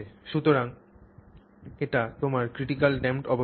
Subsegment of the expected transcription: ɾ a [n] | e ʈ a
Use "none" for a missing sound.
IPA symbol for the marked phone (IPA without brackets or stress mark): ŋ